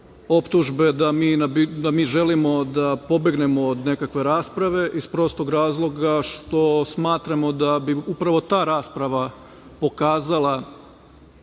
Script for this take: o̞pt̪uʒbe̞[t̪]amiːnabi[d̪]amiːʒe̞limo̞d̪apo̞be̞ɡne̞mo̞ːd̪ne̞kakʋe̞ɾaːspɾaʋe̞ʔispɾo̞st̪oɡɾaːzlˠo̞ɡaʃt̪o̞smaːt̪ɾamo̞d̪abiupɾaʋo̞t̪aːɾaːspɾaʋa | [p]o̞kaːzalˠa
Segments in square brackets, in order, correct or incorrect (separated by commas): incorrect, correct, correct